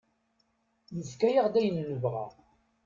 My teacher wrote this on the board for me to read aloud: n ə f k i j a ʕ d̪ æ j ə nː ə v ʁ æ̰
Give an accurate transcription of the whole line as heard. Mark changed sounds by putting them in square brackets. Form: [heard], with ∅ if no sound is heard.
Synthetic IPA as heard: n ə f k [æ] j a [ʁ] d̪ æ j ə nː ə v ʁ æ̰